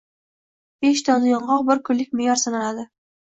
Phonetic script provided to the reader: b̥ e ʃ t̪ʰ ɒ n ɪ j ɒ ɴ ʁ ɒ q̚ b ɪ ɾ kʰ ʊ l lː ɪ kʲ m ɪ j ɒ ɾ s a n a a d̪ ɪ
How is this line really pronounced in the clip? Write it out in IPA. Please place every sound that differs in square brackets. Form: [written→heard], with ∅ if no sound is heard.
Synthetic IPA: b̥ e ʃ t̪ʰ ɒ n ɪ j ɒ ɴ ʁ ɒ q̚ b ɪ ɾ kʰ ʊ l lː ɪ kʲ m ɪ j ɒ ɾ s a n a a d̪ ɪ